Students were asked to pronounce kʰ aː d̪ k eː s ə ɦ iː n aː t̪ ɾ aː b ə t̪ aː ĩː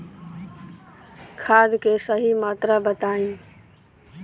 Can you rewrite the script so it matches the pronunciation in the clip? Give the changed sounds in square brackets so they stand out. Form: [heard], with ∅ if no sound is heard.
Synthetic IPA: kʰ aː d̪ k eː s ə ɦ iː [m] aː t̪ ɾ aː b ə t̪ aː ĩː